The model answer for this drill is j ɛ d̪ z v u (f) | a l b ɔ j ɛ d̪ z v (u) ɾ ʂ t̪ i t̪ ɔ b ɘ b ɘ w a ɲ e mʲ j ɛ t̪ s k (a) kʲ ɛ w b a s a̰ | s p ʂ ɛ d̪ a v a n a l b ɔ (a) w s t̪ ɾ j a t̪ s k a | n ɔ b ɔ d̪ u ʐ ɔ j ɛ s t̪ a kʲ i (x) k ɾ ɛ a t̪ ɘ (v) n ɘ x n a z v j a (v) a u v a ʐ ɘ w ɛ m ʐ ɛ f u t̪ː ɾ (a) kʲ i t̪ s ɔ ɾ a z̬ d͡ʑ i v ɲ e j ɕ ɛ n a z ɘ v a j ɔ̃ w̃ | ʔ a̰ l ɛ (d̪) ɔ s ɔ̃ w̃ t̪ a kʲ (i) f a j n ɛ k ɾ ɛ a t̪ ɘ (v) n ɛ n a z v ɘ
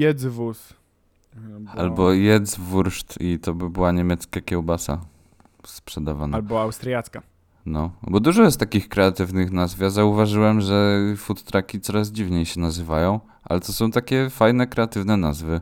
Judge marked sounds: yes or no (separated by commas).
no, yes, yes, yes, yes, yes, no, yes, no, no, yes